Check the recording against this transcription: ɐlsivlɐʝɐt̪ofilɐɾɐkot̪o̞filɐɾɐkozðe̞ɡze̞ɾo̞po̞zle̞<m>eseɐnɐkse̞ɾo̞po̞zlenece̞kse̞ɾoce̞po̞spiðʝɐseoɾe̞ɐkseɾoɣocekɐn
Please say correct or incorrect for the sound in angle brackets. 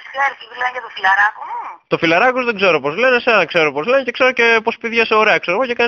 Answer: incorrect